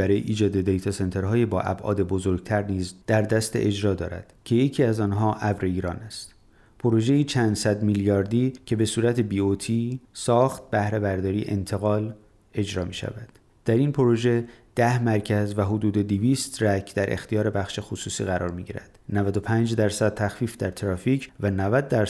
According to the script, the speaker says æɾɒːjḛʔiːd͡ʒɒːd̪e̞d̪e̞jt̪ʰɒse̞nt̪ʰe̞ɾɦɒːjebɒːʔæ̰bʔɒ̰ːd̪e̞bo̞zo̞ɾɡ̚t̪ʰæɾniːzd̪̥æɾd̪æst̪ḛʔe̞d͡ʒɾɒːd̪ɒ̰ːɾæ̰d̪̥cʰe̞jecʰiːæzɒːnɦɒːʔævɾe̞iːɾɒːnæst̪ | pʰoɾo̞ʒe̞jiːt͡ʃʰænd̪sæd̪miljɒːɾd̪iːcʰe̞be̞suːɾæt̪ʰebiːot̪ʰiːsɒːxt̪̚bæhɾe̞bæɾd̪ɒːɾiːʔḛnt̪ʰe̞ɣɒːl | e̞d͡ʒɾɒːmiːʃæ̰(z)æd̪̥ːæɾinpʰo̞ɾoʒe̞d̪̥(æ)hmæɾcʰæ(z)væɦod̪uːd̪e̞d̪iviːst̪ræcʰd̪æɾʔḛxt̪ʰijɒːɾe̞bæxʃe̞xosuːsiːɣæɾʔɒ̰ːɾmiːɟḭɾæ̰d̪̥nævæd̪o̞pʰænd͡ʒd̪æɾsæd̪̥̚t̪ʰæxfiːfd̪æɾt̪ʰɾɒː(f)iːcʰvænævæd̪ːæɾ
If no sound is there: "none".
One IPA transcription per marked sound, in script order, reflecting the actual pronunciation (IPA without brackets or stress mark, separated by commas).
v, æ, z, f